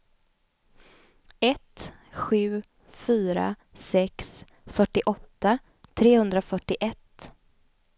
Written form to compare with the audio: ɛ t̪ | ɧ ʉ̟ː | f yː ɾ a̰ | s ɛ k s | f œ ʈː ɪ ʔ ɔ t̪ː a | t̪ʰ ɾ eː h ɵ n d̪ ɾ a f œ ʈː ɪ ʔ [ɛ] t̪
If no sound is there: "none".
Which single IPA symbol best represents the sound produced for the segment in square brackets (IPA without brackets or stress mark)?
ɛ